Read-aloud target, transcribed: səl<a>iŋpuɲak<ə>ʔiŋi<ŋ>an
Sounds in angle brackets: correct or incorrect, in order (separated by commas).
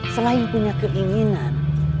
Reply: correct, correct, incorrect